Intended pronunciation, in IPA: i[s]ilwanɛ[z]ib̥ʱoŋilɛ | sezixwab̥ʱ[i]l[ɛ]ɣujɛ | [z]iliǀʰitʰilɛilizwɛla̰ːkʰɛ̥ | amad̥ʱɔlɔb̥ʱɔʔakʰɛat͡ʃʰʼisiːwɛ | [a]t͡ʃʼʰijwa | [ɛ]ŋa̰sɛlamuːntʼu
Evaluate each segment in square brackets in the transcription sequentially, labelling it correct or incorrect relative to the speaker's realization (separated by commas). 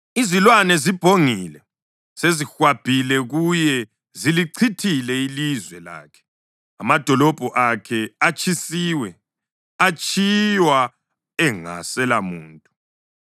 incorrect, correct, correct, correct, correct, correct, correct